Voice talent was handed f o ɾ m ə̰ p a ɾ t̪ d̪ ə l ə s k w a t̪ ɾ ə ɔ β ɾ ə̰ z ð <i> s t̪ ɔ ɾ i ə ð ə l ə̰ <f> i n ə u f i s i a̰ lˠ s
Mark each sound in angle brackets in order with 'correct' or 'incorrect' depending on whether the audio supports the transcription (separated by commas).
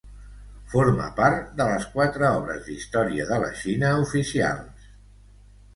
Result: correct, incorrect